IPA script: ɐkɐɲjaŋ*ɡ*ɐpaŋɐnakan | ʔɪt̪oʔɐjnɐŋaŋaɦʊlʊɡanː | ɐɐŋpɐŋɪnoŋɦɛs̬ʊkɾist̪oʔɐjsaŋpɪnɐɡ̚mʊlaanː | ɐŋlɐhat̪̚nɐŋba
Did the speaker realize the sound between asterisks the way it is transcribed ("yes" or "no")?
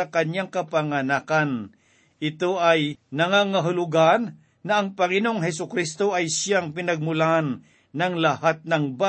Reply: no